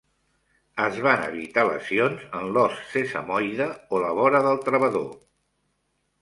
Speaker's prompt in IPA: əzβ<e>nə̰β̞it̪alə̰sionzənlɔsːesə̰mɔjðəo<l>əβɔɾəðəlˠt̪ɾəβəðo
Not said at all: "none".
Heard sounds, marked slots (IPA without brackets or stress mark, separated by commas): a, l